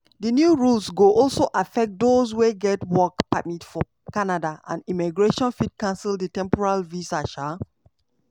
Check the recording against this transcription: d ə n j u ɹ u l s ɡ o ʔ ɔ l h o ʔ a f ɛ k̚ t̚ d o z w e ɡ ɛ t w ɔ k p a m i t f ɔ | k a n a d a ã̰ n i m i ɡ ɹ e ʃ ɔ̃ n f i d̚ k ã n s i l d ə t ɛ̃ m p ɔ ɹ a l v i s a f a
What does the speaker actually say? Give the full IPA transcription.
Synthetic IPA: d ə n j u ɹ u l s ɡ o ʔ ɔ l s o ʔ a f ɛ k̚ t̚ d o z w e ɡ ɛ t w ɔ k p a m i t f ɔ | k a n a d a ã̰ n i m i ɡ ɹ e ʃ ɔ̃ n f i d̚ k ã n s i l d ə t ɛ̃ m p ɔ ɹ a l v i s a ʃ a